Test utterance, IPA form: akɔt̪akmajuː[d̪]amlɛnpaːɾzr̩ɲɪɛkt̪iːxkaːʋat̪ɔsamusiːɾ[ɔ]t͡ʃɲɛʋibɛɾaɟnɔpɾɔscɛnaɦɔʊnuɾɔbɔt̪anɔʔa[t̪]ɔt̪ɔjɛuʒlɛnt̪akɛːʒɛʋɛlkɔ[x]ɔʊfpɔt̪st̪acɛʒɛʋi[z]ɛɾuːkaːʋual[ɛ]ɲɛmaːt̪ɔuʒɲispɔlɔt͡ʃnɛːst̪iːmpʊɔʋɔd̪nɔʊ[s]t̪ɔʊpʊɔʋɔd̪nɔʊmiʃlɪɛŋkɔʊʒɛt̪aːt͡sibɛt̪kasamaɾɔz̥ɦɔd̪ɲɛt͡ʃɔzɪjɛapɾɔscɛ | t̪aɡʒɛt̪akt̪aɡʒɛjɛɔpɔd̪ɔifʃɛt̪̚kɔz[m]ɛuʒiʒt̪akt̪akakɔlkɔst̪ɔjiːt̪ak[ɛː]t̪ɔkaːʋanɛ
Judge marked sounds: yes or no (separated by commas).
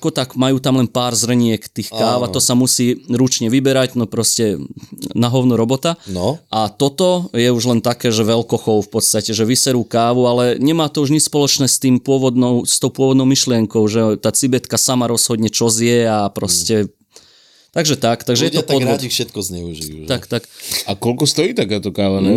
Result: no, no, yes, yes, no, yes, yes, no, no